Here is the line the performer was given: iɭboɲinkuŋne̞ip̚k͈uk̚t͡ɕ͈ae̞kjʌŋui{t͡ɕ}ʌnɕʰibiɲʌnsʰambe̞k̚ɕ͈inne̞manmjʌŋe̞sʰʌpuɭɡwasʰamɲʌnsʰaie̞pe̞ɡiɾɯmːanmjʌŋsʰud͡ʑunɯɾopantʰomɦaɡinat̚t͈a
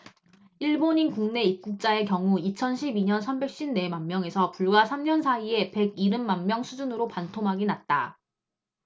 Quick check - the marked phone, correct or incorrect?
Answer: incorrect: t͡ɕʰ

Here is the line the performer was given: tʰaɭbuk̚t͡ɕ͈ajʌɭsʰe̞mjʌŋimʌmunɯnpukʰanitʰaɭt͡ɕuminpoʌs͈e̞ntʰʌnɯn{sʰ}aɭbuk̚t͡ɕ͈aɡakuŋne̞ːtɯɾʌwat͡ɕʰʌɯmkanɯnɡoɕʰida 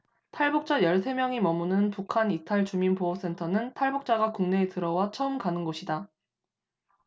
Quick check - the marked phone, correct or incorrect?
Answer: incorrect: tʰ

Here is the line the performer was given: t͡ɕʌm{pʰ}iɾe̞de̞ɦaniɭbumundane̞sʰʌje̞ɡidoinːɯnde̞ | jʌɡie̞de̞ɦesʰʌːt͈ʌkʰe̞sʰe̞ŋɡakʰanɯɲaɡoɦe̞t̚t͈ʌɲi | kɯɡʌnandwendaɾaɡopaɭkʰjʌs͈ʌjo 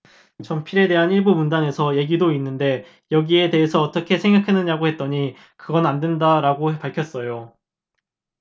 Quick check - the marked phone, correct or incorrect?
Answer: correct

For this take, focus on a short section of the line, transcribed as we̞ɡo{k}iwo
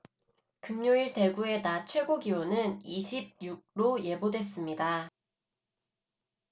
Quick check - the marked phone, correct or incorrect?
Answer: incorrect: ɡ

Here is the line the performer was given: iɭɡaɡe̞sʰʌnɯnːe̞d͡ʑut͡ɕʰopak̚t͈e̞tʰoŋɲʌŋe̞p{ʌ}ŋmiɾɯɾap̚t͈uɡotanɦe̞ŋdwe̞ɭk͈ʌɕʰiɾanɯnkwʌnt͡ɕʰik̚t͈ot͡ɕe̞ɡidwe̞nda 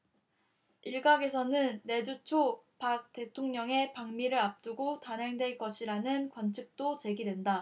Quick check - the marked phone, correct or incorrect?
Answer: incorrect: a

